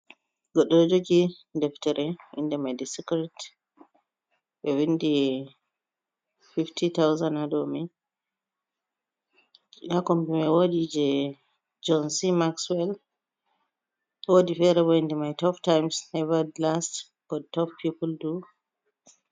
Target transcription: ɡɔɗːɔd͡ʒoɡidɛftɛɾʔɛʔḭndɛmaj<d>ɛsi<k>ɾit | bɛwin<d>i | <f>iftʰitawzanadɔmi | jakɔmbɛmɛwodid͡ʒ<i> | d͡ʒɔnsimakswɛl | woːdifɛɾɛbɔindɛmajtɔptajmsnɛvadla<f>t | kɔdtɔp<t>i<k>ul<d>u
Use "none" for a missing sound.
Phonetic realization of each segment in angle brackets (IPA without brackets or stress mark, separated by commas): d, k, d, f, ɛ, s, p, p, d